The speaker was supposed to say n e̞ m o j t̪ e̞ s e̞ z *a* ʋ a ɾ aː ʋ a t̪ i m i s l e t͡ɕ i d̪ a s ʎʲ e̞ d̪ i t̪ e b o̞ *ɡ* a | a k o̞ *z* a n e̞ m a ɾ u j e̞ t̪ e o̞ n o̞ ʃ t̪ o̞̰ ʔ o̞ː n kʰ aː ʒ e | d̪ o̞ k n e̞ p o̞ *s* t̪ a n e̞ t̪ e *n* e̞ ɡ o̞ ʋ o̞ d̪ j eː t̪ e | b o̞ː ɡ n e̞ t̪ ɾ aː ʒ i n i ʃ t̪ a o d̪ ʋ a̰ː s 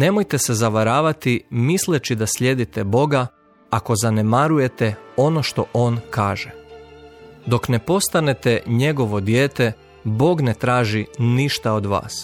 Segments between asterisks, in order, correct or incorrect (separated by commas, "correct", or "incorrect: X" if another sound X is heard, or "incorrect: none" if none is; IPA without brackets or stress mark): correct, correct, correct, correct, incorrect: ɲ